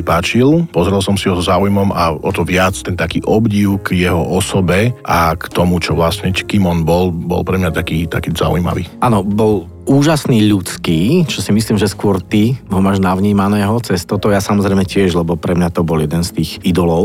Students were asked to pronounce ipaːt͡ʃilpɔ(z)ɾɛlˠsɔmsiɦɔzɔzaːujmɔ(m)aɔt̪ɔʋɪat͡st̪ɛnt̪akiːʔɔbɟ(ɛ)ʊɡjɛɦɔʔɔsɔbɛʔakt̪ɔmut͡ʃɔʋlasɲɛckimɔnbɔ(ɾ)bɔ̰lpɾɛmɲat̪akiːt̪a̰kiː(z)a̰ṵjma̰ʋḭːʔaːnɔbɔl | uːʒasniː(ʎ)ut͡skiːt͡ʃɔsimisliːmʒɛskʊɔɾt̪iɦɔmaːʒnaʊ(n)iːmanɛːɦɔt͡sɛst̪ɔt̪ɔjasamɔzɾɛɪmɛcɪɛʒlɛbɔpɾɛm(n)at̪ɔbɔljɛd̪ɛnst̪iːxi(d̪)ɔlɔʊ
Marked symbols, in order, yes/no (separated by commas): yes, yes, no, no, yes, yes, no, no, yes